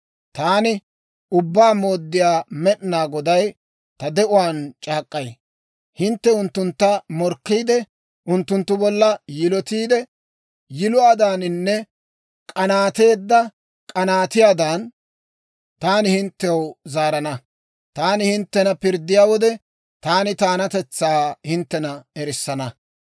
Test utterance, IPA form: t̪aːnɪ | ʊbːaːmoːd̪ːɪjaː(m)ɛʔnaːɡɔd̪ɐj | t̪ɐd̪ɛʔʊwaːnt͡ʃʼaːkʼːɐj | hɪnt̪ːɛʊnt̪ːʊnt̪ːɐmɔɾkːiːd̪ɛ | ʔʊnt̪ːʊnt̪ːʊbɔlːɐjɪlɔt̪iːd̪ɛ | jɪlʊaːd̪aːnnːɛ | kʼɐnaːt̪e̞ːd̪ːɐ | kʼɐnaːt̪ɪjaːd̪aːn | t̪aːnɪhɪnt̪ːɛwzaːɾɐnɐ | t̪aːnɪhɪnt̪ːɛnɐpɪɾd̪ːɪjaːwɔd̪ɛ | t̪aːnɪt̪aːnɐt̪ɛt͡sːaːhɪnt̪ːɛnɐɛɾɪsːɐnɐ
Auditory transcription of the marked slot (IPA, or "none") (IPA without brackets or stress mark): m